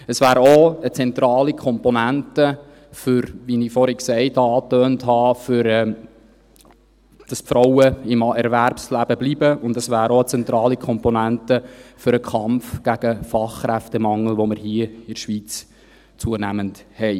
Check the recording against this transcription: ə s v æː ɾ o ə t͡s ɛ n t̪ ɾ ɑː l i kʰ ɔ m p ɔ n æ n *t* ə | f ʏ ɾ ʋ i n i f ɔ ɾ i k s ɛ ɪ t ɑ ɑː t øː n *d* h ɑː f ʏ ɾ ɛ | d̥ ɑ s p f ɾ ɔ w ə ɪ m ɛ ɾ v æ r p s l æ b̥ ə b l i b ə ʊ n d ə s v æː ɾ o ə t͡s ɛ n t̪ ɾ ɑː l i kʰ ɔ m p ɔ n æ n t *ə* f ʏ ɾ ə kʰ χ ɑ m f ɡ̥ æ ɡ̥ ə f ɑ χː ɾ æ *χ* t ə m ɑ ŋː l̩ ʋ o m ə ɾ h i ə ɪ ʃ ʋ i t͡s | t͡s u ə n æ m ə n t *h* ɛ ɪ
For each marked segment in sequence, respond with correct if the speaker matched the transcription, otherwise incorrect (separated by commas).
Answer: correct, incorrect, correct, incorrect, correct